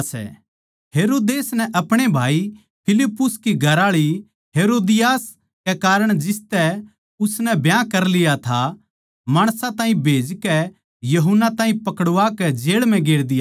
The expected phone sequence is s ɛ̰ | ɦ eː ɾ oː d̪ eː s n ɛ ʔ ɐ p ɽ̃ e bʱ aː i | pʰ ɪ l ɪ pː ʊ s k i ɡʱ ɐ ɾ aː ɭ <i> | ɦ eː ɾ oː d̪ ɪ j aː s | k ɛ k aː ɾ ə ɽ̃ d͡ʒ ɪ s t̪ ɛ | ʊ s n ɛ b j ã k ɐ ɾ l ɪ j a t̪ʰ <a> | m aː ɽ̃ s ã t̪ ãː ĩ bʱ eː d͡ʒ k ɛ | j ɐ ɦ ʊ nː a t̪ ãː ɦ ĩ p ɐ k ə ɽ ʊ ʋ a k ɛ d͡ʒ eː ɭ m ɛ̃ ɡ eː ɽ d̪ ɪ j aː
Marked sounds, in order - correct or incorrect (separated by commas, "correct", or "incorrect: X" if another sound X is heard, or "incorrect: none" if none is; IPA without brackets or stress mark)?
correct, correct